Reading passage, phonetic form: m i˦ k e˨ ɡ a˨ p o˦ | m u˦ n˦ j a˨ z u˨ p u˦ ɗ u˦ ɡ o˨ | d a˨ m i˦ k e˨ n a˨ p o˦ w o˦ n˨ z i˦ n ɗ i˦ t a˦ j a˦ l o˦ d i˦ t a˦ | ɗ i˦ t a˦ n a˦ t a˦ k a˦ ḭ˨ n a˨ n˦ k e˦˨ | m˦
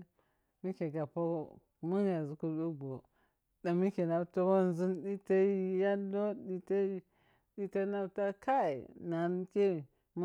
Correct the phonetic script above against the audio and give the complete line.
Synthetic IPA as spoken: m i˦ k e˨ ɡ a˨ p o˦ | m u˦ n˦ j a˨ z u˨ k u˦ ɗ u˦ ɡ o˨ | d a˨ m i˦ k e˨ n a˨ t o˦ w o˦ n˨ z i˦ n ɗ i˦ t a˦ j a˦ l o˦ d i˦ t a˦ | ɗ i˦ t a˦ n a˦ t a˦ k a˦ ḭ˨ n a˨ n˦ k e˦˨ | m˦